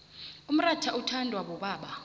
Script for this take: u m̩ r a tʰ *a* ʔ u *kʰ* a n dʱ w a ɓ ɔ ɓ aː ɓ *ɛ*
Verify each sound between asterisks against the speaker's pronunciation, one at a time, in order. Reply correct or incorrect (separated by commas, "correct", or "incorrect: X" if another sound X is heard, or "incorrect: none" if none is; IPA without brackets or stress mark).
correct, incorrect: tʰ, incorrect: a